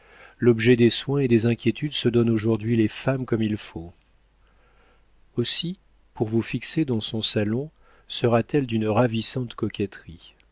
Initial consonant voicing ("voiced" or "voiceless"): voiced